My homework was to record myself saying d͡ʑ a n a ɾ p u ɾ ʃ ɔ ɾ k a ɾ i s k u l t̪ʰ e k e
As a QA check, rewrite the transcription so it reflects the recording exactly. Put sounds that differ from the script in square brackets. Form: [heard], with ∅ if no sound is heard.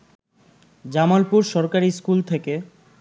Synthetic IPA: d͡ʑ a [m] a [l] p u ɾ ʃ ɔ ɾ k a ɾ i s k u l t̪ʰ e k e